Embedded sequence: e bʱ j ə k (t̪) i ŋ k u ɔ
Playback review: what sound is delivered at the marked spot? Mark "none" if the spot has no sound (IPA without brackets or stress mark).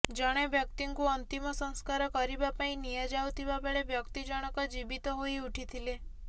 t̪